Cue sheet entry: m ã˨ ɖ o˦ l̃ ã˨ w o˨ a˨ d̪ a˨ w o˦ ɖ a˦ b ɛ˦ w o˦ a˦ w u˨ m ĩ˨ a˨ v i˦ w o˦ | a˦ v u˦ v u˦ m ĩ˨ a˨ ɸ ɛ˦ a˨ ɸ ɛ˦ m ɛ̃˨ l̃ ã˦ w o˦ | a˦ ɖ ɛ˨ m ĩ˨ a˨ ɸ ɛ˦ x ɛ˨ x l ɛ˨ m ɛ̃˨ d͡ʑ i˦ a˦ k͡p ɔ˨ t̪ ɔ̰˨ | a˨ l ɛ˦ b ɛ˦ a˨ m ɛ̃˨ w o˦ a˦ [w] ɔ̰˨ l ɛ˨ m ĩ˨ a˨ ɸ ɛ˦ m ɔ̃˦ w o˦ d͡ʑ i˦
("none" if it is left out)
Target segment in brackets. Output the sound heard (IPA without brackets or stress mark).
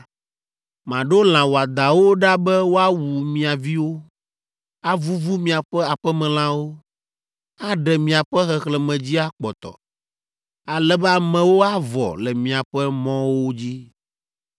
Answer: v